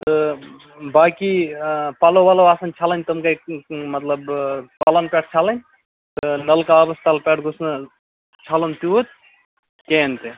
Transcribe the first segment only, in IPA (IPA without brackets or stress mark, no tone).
t̪